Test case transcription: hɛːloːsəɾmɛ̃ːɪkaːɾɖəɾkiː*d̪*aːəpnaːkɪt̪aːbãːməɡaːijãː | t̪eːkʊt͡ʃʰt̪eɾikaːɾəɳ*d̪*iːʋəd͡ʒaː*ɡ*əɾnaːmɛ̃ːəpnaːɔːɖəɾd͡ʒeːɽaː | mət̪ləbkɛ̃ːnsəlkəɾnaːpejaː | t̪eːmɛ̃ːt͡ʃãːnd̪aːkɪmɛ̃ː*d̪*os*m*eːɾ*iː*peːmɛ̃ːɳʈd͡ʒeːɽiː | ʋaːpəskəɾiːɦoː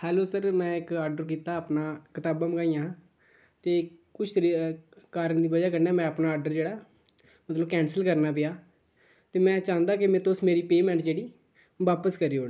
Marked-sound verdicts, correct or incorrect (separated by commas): incorrect, correct, incorrect, incorrect, correct, correct